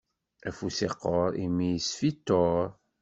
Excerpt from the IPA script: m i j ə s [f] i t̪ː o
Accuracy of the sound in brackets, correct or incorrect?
correct